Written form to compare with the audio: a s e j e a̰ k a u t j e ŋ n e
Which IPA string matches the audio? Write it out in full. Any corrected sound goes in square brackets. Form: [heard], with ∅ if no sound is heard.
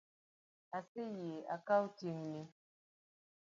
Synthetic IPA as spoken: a s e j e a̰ k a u t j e ŋ n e